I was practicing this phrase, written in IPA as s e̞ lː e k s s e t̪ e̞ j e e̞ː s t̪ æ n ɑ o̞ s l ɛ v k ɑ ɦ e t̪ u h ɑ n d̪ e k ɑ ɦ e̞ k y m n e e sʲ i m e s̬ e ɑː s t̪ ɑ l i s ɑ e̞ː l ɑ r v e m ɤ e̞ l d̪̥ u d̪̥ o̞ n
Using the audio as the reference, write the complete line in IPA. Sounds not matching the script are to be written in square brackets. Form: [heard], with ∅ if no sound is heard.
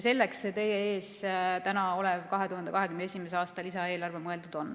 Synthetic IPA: s e̞ lː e k s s e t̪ e̞ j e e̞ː s t̪ æ n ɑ o̞ [∅] l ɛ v k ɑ ɦ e t̪ u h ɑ n d̪ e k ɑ ɦ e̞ k y m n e e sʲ i m e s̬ e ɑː s t̪ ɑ l i s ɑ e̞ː l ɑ r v e m ɤ e̞ l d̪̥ u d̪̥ o̞ n